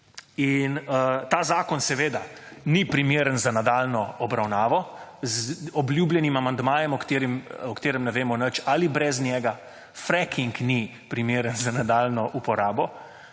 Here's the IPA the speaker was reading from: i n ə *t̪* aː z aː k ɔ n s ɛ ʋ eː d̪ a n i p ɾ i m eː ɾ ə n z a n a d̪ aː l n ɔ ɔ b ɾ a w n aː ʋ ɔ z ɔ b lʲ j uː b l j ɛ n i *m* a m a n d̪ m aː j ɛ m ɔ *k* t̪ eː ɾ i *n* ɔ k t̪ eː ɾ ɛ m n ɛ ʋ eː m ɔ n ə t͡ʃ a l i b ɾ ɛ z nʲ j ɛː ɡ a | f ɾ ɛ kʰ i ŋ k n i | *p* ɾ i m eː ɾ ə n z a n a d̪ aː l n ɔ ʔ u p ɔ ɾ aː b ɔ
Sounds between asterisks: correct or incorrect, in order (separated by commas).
correct, correct, correct, incorrect, correct